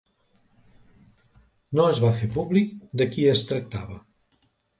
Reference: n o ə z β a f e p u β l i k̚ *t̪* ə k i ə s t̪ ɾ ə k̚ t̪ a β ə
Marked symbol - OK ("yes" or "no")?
no